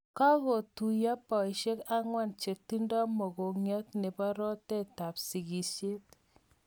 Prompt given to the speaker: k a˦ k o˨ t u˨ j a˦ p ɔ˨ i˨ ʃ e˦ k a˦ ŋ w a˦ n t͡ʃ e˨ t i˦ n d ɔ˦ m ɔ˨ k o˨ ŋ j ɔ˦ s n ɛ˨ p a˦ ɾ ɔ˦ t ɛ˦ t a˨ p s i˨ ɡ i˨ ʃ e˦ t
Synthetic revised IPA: k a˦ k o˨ t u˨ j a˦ p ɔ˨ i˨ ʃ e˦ k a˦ ŋ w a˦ n t͡ʃ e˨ t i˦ n d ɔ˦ m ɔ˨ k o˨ ŋ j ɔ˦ t n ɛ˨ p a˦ ɾ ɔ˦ t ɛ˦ t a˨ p s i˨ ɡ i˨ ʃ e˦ t